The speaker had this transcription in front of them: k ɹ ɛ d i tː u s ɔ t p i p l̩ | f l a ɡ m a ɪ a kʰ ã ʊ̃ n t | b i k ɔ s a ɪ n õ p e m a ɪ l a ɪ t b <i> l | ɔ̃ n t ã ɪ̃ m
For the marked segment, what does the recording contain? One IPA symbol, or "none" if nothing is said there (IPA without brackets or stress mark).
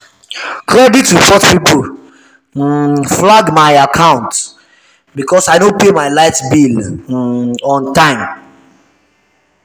i